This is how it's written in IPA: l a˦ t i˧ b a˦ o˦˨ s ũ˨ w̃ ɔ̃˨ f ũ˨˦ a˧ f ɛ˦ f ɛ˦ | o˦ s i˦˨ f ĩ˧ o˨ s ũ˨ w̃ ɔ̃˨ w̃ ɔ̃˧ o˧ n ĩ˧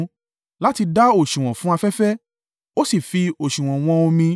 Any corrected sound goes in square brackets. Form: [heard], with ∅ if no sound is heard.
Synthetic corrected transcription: l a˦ t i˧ [d] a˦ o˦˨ [ʃ] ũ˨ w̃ ɔ̃˨ f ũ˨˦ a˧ f ɛ˦ f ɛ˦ | o˦ s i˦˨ f [i˧] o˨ [ʃ] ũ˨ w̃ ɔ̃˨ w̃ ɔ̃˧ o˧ [m] ĩ˧